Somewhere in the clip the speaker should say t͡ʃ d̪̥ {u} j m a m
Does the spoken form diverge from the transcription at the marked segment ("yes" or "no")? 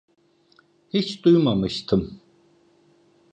no